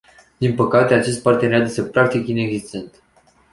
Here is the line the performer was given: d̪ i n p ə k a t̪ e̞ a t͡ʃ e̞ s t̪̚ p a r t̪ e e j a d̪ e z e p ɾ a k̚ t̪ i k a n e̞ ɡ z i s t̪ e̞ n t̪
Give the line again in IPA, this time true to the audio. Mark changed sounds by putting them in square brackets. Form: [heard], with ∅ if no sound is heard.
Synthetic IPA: d̪ i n p ə k a t̪ e̞ a t͡ʃ e̞ s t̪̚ p a r t̪ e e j a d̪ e [s] e p ɾ a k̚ t̪ i k [i] n e̞ ɡ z i s t̪ e̞ n t̪